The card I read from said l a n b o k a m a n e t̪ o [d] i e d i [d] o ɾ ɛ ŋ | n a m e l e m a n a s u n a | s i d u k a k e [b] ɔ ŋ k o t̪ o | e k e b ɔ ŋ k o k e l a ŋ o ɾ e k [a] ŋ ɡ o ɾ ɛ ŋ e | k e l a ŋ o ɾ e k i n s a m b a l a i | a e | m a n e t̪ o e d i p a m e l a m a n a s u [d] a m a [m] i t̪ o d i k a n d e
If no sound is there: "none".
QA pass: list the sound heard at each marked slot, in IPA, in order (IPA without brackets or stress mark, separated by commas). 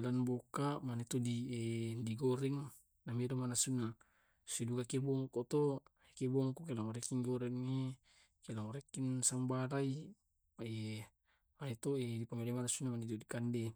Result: d, ɡ, b, i, n, n